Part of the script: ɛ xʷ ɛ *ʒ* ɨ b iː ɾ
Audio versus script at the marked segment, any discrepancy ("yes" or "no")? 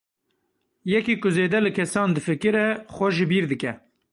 no